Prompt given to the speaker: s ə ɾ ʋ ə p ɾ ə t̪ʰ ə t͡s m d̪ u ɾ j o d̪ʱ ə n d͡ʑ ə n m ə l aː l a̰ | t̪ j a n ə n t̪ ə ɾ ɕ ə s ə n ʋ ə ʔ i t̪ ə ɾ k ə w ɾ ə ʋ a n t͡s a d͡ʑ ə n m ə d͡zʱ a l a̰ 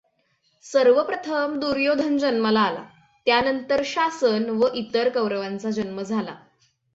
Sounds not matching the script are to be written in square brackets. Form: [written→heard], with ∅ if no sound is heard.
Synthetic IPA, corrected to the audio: s ə ɾ ʋ ə p ɾ ə t̪ʰ ə [t͡s→∅] m d̪ u ɾ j o d̪ʱ ə n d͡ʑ ə n m ə l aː l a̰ | t̪ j a n ə n t̪ ə ɾ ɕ [ə→a] s ə n ʋ ə ʔ i t̪ ə ɾ k ə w ɾ ə ʋ a n t͡s a d͡ʑ ə n m ə d͡zʱ a l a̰